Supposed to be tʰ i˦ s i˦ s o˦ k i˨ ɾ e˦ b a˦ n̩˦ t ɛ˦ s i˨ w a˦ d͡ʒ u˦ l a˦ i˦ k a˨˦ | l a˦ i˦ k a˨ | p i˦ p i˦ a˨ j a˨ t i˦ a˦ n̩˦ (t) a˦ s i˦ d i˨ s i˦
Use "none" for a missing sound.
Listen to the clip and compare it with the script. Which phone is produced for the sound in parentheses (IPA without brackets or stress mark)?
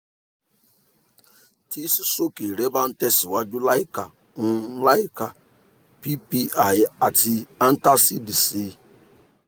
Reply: t